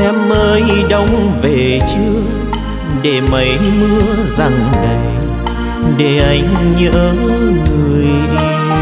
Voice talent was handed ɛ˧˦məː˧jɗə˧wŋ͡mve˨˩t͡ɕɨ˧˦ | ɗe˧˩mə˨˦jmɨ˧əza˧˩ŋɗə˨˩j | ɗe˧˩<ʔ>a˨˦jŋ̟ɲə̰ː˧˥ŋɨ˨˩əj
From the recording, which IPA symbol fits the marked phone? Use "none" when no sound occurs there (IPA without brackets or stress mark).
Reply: ʔ